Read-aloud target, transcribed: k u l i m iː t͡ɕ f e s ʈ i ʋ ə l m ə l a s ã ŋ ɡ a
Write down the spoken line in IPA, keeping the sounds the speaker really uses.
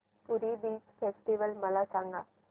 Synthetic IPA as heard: p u ɾ i b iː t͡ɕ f e s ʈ i ʋ ə l m ə l a s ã ŋ ɡ a